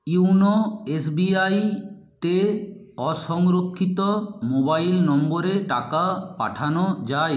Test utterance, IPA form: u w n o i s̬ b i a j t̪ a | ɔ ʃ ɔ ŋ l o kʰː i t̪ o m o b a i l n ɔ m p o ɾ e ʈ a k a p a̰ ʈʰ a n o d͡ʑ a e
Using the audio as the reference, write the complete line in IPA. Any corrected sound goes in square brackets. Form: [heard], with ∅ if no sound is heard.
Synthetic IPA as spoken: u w n o [e] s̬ b i a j t̪ [e] | ɔ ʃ ɔ ŋ [ɾ] o kʰː i t̪ o m o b a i l n ɔ m [b] o ɾ e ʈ a k a p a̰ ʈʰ a n o d͡ʑ a e